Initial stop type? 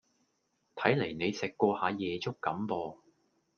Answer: aspirated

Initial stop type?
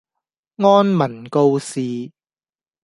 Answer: plain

